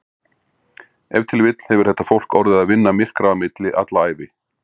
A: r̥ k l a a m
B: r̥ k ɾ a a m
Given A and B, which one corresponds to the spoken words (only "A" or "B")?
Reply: B